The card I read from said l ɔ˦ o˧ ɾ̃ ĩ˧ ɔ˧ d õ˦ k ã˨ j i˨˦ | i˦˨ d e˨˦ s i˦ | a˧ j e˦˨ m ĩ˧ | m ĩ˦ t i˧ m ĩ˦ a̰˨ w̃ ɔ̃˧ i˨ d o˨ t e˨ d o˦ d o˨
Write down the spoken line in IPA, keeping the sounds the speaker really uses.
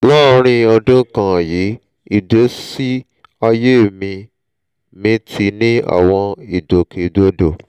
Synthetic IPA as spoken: l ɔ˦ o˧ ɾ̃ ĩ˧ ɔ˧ d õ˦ k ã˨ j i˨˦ | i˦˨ d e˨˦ s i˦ | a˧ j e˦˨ m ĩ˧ | m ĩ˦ t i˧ n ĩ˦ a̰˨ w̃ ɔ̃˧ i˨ d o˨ k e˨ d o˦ d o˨